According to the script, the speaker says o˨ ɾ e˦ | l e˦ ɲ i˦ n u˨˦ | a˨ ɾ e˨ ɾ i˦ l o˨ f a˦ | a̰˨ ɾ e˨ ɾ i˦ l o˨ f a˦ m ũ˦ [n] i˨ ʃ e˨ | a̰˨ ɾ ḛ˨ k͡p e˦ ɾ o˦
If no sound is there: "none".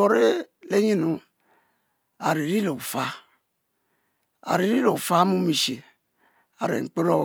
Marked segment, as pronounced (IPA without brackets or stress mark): m